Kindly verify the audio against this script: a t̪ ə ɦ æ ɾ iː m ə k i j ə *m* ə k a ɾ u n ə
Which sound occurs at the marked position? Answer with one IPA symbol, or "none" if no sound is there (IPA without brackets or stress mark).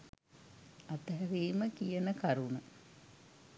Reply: n